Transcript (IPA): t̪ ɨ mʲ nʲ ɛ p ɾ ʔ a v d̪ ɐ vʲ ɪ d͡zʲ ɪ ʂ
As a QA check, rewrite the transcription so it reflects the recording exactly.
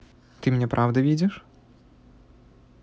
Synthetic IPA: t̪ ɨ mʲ nʲ ɛ p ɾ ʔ a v d̪ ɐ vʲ i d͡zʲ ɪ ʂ

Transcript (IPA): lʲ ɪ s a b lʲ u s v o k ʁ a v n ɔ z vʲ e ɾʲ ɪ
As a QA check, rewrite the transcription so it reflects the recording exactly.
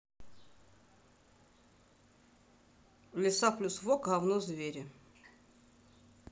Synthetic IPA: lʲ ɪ s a p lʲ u s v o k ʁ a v n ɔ z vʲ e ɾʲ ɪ

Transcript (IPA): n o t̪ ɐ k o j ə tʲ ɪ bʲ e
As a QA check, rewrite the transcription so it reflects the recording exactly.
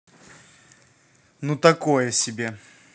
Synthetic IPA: n u t̪ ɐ k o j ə sʲ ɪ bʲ e

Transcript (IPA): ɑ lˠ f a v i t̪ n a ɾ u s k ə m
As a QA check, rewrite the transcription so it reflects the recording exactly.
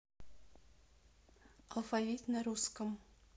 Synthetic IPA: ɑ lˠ f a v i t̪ n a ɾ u s k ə m

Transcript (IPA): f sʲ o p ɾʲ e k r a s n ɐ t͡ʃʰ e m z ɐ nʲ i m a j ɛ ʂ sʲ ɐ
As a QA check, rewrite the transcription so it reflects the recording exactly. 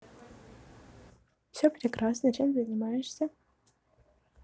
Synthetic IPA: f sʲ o p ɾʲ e k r a s n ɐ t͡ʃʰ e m z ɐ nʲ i m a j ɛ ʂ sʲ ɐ

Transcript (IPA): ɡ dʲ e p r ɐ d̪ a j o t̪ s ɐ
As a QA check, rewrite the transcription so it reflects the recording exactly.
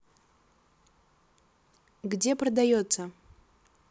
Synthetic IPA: ɡ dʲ e p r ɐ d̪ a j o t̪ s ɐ

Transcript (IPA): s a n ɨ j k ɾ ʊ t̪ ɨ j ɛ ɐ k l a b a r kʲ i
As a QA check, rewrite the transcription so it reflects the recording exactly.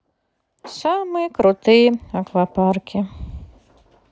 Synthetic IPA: s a m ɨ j k ɾ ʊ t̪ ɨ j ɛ ɐ k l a p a r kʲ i

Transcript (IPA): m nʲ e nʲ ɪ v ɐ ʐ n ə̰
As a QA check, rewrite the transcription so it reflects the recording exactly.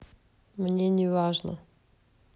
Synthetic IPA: m nʲ e nʲ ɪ v a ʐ n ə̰

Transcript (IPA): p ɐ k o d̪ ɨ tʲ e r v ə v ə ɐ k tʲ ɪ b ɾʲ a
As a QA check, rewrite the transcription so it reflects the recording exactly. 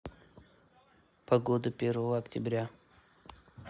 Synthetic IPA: p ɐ ɡ o d̪ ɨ pʲ e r v ə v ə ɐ k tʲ ɪ b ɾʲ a

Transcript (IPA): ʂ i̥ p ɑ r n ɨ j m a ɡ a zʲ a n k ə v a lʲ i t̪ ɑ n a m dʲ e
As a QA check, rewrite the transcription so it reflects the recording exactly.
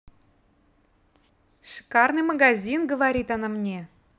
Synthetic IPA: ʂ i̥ k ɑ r n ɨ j m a ɡ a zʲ i n ɡ ə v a ɾʲ i t̪ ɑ n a m nʲ e

